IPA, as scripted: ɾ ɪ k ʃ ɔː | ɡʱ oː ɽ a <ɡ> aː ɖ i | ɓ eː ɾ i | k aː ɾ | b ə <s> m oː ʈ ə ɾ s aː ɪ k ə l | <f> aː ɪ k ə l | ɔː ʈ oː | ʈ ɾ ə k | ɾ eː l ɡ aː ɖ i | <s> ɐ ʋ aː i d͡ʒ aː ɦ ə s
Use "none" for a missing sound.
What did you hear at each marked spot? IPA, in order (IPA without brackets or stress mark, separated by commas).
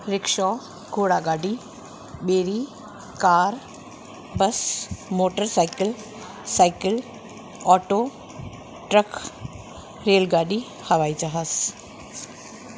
ɡ, s, s, h